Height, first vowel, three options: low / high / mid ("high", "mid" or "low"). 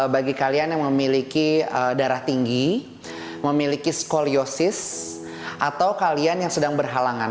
low